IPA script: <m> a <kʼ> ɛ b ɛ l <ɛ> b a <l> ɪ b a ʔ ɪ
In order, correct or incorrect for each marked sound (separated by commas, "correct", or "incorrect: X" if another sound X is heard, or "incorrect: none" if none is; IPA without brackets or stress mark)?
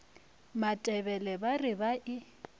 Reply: correct, incorrect: tʼ, correct, incorrect: r